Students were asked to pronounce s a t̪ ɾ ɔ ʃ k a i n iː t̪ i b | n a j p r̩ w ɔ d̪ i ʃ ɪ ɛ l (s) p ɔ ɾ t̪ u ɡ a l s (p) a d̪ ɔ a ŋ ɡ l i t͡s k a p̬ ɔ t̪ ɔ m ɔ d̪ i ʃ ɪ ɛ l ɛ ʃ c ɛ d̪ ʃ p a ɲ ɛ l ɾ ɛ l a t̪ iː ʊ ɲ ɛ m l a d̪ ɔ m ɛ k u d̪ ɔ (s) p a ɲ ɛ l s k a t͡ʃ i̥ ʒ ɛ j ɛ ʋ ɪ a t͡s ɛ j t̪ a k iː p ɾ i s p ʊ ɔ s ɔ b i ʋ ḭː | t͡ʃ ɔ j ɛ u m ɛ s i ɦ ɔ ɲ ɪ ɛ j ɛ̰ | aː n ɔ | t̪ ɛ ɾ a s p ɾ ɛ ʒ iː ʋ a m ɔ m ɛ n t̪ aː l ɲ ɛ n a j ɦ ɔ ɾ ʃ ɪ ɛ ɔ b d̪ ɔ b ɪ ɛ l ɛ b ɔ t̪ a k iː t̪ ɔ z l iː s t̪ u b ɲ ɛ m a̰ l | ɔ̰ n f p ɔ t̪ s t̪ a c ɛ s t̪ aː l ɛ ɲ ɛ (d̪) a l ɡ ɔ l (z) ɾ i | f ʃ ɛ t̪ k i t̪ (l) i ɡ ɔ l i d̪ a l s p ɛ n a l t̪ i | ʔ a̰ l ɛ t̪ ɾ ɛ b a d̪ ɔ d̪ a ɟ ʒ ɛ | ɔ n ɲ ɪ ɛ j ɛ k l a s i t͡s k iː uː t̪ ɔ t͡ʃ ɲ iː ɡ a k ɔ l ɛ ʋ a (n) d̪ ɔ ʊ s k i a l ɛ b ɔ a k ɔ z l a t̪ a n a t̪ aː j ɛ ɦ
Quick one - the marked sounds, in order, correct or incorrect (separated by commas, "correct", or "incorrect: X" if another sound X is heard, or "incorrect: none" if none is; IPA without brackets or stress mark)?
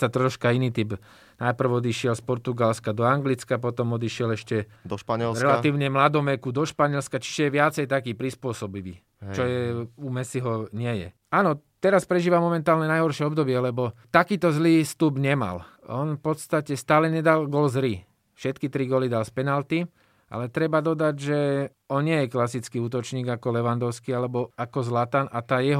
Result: correct, incorrect: k, incorrect: ʃ, correct, correct, incorrect: ɾ, correct